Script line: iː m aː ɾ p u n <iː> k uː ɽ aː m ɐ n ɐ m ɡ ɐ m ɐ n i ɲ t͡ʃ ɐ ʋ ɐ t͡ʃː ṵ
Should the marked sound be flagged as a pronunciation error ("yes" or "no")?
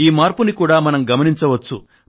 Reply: yes